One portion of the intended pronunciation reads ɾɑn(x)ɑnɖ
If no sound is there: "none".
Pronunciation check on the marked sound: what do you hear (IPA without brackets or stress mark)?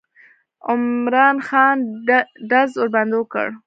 x